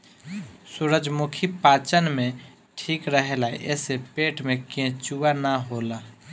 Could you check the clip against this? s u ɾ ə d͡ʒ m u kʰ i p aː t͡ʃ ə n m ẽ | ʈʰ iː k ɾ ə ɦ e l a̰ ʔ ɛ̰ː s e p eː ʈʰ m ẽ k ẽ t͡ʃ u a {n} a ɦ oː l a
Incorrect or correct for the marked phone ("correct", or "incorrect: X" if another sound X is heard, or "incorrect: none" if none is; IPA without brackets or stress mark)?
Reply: correct